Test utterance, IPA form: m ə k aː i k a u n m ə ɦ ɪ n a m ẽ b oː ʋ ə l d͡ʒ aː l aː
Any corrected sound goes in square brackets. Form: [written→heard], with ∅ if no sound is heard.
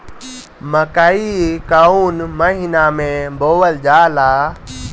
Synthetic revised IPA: m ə k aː i k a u n m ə ɦ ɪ n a m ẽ b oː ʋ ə l d͡ʒ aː l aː